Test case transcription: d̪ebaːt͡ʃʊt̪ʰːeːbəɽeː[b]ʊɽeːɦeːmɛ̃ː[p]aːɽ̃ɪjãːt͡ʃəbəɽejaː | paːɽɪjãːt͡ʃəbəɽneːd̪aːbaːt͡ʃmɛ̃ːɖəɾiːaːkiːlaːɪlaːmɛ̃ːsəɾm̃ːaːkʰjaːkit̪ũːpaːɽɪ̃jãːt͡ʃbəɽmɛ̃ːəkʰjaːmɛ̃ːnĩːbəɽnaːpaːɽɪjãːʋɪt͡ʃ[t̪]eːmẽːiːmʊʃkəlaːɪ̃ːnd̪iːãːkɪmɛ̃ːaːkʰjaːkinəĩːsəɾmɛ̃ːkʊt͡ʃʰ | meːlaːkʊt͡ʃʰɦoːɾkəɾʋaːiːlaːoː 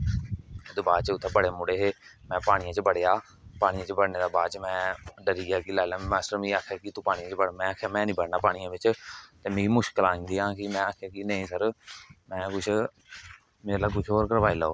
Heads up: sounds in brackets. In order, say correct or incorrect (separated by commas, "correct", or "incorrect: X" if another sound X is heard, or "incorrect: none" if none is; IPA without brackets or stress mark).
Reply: incorrect: m, correct, correct